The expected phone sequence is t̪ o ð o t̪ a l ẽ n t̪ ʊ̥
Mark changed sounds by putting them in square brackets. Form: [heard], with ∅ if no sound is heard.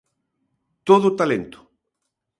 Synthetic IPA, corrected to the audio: t̪ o ð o t̪ a l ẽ n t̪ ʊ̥